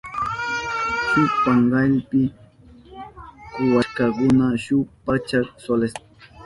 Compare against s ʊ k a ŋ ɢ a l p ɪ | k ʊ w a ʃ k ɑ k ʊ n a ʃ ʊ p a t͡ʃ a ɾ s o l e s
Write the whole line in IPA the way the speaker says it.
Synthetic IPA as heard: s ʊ p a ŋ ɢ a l p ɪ | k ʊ w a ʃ k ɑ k ʊ n a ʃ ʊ p a t͡ʃ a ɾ s o l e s